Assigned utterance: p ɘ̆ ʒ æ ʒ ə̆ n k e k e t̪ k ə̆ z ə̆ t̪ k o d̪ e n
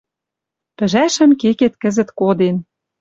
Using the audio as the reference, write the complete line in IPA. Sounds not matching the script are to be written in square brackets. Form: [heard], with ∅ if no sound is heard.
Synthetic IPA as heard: p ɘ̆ ʒ æ [ʃ] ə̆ [m] k e k e t̪ k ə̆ z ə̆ t̪ k o d̪ e n